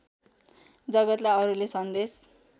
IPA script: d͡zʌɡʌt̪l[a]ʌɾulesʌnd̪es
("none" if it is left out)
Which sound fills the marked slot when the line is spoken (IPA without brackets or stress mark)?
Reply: a